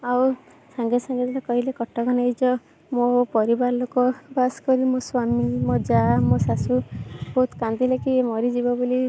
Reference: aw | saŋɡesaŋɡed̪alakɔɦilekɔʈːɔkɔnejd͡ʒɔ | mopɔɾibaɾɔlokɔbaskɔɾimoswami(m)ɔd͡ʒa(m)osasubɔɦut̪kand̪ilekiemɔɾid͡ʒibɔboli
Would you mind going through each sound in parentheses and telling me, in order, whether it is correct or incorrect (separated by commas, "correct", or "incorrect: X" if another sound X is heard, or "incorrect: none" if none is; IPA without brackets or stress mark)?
correct, correct